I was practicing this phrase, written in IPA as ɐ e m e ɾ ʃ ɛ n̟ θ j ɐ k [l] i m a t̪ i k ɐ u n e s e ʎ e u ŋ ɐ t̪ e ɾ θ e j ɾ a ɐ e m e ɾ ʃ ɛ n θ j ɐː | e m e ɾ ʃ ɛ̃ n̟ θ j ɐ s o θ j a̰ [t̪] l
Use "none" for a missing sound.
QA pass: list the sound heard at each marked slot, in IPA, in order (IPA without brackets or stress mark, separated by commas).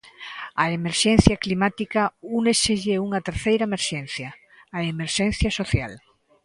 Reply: l, none